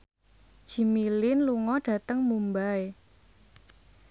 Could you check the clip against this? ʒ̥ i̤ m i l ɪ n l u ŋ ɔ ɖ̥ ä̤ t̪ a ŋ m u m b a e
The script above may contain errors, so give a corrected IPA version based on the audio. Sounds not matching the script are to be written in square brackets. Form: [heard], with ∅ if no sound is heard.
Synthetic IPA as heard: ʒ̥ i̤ m i l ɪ n l u ŋ ɔ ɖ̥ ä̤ t̪ [ə] ŋ m u m b a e